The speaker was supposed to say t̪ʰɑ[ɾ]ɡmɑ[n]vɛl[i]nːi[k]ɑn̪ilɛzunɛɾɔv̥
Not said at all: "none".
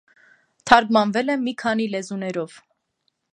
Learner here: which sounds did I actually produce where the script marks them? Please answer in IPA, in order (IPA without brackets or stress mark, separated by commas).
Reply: ɾ, n, ɛ, kʰ